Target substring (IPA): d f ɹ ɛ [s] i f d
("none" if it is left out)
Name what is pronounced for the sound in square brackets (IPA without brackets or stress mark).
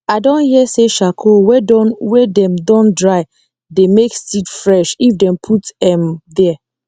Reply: ʃ